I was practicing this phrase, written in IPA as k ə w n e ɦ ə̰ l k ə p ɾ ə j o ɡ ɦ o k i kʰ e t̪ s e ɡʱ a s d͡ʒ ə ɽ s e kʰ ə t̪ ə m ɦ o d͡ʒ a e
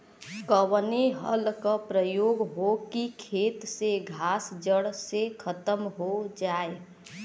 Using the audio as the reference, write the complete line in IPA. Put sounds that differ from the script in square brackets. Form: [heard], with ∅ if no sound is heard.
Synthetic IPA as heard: k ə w n e ɦ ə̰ l k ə p ɾ ə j o ɡ ɦ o k i kʰ e t̪ s e ɡʱ a s d͡ʒ ə ɽ s e kʰ ə t̪ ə m ɦ o d͡ʒ a e

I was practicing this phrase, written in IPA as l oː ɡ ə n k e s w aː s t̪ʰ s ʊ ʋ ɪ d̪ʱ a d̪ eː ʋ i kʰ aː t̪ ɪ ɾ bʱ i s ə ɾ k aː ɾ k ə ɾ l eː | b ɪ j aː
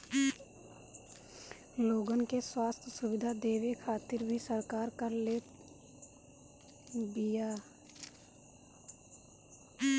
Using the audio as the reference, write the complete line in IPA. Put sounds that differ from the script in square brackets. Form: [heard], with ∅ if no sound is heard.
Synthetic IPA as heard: l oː ɡ ə n k e s w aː s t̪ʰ s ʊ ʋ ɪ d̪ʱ a d̪ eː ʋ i kʰ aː t̪ ɪ ɾ bʱ i s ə ɾ k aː ɾ k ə ɾ l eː | b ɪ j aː

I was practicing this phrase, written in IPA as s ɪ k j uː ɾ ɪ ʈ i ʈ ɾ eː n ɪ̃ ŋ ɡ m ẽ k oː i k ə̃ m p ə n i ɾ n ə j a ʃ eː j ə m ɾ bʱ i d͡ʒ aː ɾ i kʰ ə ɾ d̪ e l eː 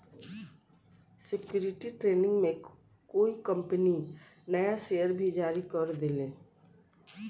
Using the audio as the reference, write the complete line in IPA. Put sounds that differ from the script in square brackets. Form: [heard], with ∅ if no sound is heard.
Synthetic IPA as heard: s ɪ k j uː ɾ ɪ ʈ i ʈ ɾ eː n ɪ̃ ŋ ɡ m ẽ k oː i k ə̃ m p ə n i [∅] n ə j a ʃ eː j ə [∅] ɾ bʱ i d͡ʒ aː ɾ i [k] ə ɾ d̪ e l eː

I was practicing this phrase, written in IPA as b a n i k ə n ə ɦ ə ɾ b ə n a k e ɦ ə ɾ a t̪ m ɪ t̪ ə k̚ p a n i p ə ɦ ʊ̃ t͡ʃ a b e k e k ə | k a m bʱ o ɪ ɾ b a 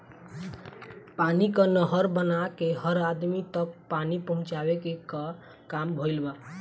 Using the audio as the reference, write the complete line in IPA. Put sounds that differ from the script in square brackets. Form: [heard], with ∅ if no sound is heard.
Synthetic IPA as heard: [p] a n i k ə n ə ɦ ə ɾ b ə n a k e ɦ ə ɾ a [d̪] m [i] t̪ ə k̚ p a n i p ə ɦ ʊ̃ t͡ʃ a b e k e k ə | k a m bʱ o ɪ [l] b a

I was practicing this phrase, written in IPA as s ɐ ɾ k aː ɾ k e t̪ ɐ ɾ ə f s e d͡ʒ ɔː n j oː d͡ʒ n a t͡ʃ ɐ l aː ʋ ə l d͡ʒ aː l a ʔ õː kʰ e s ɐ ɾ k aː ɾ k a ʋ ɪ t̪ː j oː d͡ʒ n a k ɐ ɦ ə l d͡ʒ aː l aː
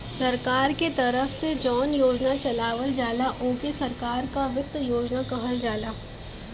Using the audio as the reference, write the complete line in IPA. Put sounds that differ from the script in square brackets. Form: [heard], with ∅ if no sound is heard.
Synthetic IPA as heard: s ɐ ɾ k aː ɾ k e t̪ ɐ ɾ ə f s e d͡ʒ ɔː n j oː d͡ʒ n a t͡ʃ ɐ l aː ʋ ə l d͡ʒ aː l a ʔ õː [k] e s ɐ ɾ k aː ɾ k a ʋ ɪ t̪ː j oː d͡ʒ n a k ɐ ɦ ə l d͡ʒ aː l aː

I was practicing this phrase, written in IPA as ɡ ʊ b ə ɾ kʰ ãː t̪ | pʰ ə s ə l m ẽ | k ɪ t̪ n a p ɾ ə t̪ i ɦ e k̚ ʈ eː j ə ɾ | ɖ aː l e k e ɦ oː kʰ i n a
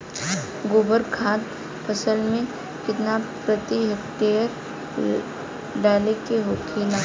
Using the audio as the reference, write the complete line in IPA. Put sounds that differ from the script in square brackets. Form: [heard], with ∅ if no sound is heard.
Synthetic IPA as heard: ɡ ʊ b ə ɾ kʰ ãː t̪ | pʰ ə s ə l m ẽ | k ɪ t̪ n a p ɾ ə t̪ i ɦ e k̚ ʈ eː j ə ɾ | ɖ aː l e k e ɦ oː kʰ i n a

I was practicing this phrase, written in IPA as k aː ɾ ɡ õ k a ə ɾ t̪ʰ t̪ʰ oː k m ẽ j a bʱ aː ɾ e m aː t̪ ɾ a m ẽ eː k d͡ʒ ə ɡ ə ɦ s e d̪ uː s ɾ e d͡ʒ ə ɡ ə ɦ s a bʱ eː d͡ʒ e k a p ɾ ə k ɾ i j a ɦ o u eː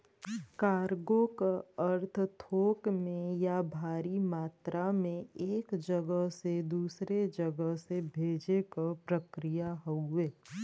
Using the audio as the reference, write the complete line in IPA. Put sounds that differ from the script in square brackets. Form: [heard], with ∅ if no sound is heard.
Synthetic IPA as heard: k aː ɾ ɡ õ k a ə ɾ t̪ʰ t̪ʰ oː k m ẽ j a bʱ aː ɾ [i] m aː t̪ ɾ a m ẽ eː k d͡ʒ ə ɡ ə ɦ s e d̪ uː s ɾ e d͡ʒ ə ɡ ə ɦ s [e] bʱ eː d͡ʒ e k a p ɾ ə k ɾ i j a ɦ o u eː

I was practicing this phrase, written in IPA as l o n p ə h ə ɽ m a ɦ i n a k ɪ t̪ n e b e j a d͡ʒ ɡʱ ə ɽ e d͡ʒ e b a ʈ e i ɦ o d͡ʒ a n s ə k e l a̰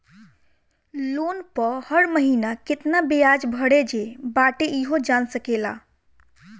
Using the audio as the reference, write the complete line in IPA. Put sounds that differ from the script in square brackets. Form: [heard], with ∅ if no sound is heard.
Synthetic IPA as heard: l o n p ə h ə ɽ m [ə] ɦ i n a k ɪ t̪ n [a] b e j a d͡ʒ [bʱ] ə ɽ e d͡ʒ e b a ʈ e i ɦ o d͡ʒ a n s ə k e l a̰

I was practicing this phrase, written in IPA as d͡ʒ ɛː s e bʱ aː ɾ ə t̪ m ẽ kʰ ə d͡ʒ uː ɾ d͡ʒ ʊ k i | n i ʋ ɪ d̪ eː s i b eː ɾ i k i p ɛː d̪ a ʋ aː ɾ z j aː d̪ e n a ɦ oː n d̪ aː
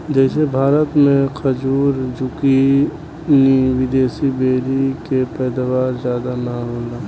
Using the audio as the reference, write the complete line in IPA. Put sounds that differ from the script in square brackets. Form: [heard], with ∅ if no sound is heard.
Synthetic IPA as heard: d͡ʒ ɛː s e bʱ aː ɾ ə t̪ m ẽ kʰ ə d͡ʒ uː ɾ d͡ʒ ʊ k i | n i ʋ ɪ d̪ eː s i b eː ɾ i k [e] p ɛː d̪ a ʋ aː ɾ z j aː d̪ [a] n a ɦ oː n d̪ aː

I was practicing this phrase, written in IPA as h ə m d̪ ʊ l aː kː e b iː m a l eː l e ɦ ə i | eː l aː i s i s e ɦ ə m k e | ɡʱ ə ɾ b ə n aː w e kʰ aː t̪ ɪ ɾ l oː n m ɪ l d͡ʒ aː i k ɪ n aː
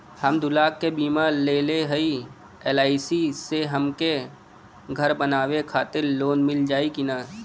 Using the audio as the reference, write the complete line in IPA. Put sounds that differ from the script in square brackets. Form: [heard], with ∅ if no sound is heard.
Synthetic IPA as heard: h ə m d̪ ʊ l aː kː e b iː m a l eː l e ɦ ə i | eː l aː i s i s e ɦ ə m k e | ɡʱ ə ɾ b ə n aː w e kʰ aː t̪ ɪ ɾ l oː n m ɪ l d͡ʒ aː i k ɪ n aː

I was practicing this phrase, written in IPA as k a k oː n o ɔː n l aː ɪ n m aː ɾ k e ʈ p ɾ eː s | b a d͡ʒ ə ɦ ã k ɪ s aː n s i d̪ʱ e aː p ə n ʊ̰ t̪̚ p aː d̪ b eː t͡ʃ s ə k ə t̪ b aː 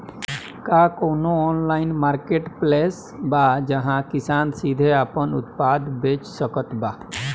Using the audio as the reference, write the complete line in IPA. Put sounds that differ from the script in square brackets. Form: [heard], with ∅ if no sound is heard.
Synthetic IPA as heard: k a k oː n o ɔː n l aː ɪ n m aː ɾ k e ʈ p [l] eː s | b a d͡ʒ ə ɦ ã k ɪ s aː n s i d̪ʱ e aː p ə n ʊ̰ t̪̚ p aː d̪ b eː t͡ʃ s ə k ə t̪ b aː

